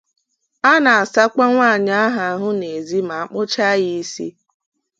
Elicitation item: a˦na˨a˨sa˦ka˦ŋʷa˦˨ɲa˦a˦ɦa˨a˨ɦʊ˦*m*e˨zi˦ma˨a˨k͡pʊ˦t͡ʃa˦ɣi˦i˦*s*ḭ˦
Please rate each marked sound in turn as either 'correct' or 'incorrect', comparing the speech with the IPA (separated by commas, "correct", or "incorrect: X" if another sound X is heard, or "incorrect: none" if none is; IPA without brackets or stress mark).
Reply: incorrect: n, correct